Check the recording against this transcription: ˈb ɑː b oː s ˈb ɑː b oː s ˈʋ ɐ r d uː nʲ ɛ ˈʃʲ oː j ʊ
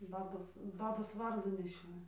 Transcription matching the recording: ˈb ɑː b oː s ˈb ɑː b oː s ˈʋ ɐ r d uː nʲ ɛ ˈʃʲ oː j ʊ